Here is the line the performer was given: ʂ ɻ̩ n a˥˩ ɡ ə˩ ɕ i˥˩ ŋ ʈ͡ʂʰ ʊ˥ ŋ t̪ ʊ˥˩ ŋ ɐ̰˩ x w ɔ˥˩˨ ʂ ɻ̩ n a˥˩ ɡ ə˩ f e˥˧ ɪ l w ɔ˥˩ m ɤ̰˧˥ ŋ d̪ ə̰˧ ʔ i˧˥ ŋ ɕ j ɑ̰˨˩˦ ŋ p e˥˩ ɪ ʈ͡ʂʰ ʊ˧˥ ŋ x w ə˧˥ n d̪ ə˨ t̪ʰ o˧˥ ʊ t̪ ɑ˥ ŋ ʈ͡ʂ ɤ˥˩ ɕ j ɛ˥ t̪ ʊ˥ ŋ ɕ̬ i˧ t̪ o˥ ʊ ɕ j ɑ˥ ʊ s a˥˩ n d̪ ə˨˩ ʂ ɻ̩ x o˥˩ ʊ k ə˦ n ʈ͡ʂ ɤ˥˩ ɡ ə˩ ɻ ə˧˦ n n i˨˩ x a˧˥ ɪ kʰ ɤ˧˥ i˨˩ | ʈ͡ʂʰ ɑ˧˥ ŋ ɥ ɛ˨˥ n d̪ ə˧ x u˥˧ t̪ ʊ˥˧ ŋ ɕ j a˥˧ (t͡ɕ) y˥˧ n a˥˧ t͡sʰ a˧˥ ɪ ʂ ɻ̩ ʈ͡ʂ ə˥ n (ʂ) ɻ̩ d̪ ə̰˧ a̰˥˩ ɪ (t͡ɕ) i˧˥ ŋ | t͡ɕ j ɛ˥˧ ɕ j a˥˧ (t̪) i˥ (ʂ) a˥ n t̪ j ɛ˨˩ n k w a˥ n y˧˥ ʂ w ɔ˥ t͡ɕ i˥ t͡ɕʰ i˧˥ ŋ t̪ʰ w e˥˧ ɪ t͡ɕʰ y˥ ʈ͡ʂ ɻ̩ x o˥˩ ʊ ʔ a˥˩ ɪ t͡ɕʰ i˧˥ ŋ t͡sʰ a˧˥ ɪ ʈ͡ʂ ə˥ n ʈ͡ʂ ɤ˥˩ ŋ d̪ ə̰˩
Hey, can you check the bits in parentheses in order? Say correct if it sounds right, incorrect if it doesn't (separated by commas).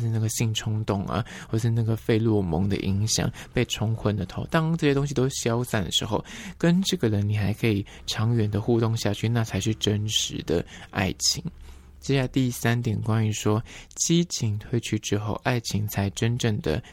incorrect, correct, incorrect, correct, incorrect